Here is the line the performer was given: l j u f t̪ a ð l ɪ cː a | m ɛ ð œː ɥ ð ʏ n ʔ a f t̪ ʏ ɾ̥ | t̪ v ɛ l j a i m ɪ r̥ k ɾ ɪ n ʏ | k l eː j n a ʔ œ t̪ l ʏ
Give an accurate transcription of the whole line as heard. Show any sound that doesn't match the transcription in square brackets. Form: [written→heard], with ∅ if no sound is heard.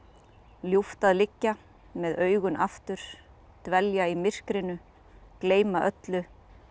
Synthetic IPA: l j u f t̪ a ð l ɪ cː a | m ɛ ð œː ɥ [ð→ɣ] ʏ n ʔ a f t̪ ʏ ɾ̥ | t̪ v ɛ l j a i m ɪ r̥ k ɾ ɪ n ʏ | k l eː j [n→m] a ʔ œ t̪ l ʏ

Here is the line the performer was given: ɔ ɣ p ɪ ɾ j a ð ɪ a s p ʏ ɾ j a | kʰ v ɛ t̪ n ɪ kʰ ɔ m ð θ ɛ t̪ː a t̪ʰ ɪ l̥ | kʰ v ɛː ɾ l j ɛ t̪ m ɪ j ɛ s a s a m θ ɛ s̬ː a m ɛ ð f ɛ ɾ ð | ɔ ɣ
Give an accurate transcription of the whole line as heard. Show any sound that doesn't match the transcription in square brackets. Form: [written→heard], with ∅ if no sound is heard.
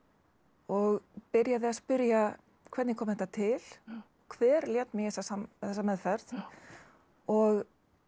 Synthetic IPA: ɔ ɣ p ɪ ɾ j a ð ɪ a s p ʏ ɾ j a | kʰ v ɛ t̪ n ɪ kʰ ɔ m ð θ ɛ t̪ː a t̪ʰ ɪ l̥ | kʰ v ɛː ɾ l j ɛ t̪ m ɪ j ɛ s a s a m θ ɛ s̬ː a m ɛ ð f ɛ ɾ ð | ɔ ɣ

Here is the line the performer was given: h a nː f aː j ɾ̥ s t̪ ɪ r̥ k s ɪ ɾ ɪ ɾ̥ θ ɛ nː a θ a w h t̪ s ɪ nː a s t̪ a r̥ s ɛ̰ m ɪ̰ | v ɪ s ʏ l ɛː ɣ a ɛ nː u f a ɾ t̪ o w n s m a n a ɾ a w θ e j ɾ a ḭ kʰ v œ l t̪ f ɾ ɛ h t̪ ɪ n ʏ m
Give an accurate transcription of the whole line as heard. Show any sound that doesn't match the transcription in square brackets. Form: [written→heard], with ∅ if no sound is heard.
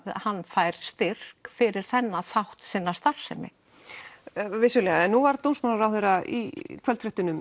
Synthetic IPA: h a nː f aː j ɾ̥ s t̪ ɪ r̥ k [s→f] ɪ ɾ ɪ ɾ̥ θ ɛ nː a θ a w h t̪ s ɪ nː a s t̪ a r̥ s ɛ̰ m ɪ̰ | v ɪ s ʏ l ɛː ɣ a ɛ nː u [f→v] a ɾ t̪ o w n s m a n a ɾ a w θ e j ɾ a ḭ kʰ v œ l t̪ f ɾ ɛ h t̪ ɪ n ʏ m

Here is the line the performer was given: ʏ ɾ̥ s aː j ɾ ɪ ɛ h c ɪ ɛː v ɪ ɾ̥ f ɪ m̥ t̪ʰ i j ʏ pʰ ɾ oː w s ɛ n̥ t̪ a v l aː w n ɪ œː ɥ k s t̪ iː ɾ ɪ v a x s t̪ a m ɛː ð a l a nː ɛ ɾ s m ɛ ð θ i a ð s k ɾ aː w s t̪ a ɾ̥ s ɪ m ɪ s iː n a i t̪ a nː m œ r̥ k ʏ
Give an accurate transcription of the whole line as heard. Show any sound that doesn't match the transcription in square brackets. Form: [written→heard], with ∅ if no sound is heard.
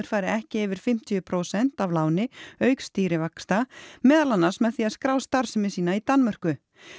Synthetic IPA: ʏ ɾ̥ [s→f] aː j ɾ ɪ ɛ h c ɪ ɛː v ɪ ɾ̥ f ɪ m̥ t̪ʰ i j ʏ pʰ ɾ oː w s ɛ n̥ t̪ a v l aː w n ɪ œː ɥ k s t̪ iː ɾ ɪ v a [x→k] s t̪ a m ɛː ð a l a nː [ɛ→a] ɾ s m ɛ ð θ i a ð s k ɾ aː w s t̪ a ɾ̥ s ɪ m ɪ s iː n a i t̪ a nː m œ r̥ k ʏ

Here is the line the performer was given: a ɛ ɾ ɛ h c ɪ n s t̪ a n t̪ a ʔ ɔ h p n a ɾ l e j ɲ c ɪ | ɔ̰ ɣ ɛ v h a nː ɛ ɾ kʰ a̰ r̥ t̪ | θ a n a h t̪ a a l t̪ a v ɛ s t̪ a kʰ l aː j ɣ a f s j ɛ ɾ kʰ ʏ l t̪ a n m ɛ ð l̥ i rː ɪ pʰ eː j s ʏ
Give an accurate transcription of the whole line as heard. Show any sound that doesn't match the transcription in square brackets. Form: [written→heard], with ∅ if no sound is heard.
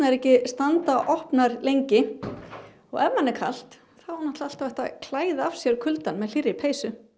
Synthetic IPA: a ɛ ɾ ɛ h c ɪ [n→∅] s t̪ a n t̪ a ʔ ɔ h p n a ɾ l e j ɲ c ɪ | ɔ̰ ɣ ɛ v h a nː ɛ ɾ kʰ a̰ [r̥→l̥] t̪ | θ a n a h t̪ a a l t̪ a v ɛ [s→h] t̪ a kʰ l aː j [ɣ→ð] a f s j ɛ ɾ kʰ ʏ l t̪ a n m ɛ ð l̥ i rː ɪ pʰ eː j s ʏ

